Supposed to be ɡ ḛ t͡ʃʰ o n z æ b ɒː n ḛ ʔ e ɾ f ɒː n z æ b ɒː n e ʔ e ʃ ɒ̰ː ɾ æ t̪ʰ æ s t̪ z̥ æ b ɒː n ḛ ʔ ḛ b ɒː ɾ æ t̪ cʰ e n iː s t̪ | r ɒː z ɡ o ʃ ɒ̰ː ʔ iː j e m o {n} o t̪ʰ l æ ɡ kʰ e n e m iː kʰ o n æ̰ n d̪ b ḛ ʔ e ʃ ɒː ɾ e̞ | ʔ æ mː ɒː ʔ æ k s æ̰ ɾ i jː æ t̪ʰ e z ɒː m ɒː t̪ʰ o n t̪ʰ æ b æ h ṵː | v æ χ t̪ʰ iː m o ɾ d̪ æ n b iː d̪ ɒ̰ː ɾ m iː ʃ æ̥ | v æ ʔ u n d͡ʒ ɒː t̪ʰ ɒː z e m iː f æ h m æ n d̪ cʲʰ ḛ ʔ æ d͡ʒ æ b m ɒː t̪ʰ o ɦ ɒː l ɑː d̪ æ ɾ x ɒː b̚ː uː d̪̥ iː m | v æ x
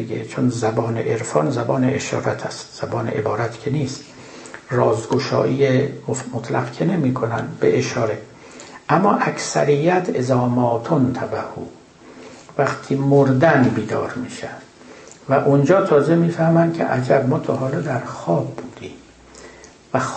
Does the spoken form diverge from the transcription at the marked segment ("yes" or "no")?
yes